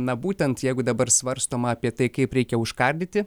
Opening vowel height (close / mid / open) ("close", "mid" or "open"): open